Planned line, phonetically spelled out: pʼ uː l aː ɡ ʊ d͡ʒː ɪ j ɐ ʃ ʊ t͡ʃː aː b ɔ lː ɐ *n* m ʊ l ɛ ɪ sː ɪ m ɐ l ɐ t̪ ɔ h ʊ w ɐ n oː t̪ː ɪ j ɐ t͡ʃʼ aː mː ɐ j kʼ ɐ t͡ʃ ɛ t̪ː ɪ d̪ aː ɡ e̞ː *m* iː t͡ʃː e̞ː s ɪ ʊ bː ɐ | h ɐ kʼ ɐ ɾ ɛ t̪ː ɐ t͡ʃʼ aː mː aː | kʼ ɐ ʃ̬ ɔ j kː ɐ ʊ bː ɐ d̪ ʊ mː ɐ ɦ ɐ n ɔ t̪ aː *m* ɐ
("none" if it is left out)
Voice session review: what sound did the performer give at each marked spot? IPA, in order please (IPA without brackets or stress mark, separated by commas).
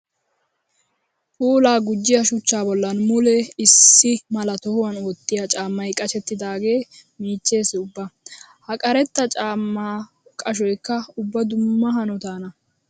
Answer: n, m, n